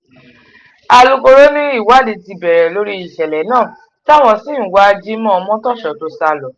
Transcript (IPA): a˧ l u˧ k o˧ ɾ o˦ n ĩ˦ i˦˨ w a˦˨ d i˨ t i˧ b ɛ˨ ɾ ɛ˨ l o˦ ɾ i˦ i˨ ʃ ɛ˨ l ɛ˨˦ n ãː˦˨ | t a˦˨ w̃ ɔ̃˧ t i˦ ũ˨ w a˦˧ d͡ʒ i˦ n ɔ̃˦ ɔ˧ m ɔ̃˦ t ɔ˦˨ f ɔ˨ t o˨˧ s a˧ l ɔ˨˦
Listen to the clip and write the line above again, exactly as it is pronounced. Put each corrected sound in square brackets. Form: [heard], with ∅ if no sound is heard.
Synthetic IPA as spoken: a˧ l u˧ k o˧ ɾ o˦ n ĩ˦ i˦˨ w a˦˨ d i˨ t i˧ b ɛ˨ ɾ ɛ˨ l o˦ ɾ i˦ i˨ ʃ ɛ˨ l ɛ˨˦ n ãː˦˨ | t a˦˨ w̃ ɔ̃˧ [s] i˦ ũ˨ w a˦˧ d͡ʒ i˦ [m] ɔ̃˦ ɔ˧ m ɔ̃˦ t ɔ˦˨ [ʃ] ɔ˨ t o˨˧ s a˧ l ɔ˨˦

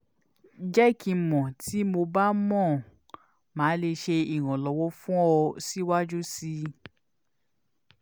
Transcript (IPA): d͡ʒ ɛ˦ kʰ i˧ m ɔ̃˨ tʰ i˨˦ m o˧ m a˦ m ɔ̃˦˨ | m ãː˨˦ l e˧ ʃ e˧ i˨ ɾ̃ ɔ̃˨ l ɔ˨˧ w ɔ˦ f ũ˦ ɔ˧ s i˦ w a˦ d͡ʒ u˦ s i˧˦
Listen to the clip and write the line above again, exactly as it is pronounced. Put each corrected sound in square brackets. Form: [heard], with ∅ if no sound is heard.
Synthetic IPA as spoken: d͡ʒ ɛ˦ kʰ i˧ m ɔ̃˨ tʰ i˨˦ m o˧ [b] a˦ m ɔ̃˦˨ | m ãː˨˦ l e˧ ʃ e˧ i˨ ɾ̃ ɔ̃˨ l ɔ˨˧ w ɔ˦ f ũ˦ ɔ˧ s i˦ w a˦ d͡ʒ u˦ s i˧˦

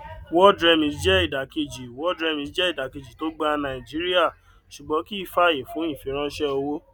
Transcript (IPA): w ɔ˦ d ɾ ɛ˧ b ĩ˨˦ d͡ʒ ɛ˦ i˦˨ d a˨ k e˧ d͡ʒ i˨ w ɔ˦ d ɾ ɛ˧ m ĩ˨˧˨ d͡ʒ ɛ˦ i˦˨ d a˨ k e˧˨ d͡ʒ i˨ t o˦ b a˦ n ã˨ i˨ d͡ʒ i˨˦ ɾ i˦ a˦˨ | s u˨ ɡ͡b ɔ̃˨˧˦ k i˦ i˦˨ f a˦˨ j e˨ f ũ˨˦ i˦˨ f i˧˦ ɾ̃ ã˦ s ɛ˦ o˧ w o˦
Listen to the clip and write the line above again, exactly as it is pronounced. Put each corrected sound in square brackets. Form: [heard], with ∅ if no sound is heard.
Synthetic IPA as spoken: w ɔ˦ d ɾ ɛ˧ [m] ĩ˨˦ d͡ʒ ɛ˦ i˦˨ d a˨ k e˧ d͡ʒ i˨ w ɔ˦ d ɾ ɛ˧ m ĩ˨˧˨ d͡ʒ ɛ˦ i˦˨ d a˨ k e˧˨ d͡ʒ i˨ t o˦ [ɡ͡b] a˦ n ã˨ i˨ d͡ʒ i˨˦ ɾ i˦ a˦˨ | [ʃ] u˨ ɡ͡b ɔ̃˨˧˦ k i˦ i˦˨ f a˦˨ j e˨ f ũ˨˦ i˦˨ f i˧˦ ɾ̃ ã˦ [ʃ] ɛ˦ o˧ w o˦

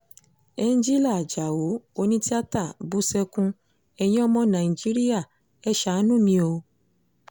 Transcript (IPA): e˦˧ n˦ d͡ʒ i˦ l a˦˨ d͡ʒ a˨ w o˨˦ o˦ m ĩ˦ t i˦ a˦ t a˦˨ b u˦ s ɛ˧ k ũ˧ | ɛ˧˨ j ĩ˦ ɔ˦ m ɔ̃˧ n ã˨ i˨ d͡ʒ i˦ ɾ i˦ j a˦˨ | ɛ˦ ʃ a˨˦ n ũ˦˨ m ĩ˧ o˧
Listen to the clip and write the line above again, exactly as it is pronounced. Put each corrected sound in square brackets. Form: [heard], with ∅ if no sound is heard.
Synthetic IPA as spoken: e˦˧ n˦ d͡ʒ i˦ l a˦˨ d͡ʒ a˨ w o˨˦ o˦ [n] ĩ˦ t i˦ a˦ t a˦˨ b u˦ s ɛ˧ k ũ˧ | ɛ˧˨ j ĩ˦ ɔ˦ m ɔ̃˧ n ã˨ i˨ d͡ʒ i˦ ɾ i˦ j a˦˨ | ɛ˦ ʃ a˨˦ n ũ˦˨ m ĩ˧ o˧

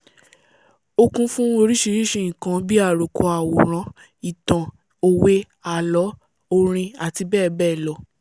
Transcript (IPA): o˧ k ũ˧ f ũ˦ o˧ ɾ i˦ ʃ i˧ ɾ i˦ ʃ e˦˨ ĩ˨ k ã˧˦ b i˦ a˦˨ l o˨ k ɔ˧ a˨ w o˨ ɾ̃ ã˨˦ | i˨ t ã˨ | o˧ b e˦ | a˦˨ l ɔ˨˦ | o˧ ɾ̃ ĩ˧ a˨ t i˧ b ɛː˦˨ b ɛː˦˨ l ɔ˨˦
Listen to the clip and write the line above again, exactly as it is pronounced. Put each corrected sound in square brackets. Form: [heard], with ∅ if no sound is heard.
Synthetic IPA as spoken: o˧ k ũ˧ f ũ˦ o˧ ɾ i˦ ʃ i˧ ɾ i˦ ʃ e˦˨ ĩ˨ k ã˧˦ b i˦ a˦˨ [ɾ] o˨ k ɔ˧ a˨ w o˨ ɾ̃ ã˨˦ | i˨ t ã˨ | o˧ [w] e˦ | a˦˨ l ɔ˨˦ | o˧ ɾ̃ ĩ˧ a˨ t i˧ b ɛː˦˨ b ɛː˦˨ l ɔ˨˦

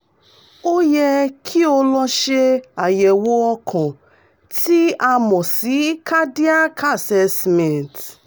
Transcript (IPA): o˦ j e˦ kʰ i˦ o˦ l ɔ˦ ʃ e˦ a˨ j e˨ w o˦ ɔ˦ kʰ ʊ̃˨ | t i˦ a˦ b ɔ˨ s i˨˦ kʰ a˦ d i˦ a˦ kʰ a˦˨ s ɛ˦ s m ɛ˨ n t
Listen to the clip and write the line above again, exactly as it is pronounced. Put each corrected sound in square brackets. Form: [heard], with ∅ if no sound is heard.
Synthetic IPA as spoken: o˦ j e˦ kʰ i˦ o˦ l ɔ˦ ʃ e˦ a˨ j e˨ w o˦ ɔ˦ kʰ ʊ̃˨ | t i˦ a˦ [m] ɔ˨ s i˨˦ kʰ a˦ d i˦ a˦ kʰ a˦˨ s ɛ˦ s m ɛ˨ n t

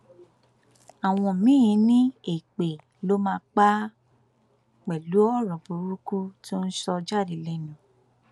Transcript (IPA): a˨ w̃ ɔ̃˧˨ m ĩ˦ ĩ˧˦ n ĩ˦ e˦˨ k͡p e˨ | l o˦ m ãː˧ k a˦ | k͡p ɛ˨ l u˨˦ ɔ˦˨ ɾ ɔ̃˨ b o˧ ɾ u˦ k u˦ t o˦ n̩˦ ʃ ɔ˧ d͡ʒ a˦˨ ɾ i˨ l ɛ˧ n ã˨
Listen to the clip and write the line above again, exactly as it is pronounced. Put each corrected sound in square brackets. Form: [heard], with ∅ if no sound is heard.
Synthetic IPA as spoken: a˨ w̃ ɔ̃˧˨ m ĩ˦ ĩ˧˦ n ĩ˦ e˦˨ k͡p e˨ | l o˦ m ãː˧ [k͡p] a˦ | k͡p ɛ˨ l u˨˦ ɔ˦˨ ɾ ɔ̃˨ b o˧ ɾ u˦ k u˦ t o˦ n̩˦ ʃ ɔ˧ d͡ʒ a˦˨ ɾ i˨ l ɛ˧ n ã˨

